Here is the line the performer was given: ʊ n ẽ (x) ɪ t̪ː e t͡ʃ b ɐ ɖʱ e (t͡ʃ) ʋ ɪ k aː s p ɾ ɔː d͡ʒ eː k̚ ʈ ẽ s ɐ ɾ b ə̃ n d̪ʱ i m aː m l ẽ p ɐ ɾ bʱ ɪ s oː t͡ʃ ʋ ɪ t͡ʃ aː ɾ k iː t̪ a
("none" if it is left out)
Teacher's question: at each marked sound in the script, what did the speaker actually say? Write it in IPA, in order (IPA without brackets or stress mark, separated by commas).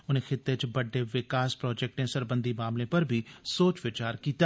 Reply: x, none